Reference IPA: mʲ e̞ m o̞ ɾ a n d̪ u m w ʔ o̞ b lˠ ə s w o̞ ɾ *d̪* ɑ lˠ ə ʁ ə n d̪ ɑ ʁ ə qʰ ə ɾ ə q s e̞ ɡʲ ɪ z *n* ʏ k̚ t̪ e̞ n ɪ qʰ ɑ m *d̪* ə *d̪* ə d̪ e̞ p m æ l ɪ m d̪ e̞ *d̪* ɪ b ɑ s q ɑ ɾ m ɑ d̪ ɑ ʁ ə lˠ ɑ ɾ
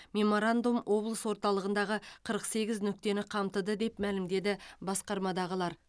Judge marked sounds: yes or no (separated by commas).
no, yes, no, yes, yes